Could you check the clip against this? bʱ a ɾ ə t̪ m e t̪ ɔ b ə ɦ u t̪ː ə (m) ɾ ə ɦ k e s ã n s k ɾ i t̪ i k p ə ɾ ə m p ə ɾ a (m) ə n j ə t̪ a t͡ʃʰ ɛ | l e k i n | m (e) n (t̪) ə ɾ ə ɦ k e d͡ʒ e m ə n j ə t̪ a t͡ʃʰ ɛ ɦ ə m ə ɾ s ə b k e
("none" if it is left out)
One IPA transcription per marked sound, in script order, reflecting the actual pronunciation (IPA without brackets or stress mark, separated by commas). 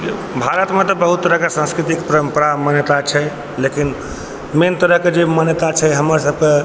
none, m, e, t̪